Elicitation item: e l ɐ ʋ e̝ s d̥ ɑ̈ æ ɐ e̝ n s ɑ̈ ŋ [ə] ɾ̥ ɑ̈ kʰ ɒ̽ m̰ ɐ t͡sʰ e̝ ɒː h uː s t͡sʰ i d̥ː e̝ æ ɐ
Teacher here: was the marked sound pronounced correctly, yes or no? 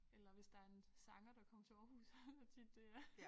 no